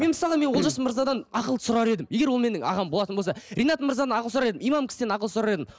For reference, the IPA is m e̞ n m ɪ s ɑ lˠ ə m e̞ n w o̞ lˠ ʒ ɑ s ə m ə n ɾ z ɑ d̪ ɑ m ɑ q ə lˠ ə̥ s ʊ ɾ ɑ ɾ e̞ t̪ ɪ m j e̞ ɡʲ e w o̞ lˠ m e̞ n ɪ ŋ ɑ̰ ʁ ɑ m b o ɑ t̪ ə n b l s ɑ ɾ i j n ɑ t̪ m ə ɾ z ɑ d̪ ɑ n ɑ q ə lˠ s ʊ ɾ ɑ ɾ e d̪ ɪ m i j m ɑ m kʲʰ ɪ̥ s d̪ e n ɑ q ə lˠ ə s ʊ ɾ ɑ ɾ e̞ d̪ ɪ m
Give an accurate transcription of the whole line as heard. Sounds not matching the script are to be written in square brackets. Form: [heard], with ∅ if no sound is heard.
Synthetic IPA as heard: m e̞ n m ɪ s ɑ lˠ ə m e̞ n w o̞ lˠ ʒ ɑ s ə m ə [∅] ɾ z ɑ d̪ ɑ [n] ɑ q ə lˠ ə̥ s ʊ ɾ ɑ ɾ e̞ [d̪] ɪ m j e̞ ɡʲ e w o̞ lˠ m e̞ n ɪ ŋ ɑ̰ ʁ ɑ m b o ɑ t̪ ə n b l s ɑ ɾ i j n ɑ t̪ m ə ɾ z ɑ d̪ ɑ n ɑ q ə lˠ s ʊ ɾ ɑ ɾ e d̪ ɪ m i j m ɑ m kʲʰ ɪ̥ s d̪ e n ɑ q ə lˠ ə s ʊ ɾ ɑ ɾ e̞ d̪ ɪ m